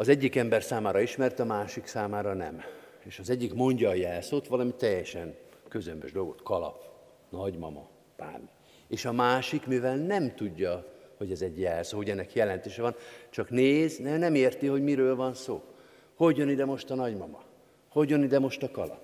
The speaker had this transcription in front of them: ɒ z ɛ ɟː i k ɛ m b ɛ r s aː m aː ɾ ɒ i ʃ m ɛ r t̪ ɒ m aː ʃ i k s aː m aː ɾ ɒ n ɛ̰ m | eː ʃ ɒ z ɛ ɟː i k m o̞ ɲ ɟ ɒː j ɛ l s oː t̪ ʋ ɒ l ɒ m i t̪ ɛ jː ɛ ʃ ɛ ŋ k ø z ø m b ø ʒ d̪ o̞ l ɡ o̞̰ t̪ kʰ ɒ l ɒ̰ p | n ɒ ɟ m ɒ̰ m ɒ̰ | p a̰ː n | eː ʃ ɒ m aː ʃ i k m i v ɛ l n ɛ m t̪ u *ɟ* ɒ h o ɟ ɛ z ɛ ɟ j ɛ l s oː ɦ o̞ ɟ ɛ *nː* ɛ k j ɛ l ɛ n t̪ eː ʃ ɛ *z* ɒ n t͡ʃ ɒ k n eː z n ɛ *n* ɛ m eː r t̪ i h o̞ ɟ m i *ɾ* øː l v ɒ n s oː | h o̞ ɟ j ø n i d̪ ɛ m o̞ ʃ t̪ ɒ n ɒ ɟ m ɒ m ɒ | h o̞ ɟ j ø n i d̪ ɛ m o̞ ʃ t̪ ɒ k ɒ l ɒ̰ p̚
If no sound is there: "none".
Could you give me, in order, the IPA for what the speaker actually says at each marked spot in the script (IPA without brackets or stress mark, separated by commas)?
ɟː, nː, v, n, ɾ